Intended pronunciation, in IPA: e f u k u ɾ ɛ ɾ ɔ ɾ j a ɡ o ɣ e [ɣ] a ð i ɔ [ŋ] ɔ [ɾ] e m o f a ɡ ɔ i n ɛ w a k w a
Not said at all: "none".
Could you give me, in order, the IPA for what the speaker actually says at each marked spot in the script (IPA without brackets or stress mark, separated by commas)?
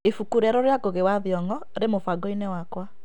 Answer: w, ŋ, ɾ